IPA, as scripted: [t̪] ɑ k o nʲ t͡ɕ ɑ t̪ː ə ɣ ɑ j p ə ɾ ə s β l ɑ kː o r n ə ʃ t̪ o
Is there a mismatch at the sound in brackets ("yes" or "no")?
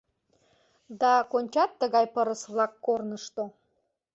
yes